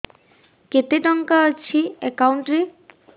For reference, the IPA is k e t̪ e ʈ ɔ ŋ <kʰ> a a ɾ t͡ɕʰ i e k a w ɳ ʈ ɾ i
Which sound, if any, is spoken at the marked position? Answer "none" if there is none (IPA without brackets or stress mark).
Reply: k